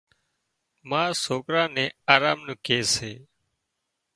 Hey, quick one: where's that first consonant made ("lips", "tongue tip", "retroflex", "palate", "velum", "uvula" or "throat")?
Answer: lips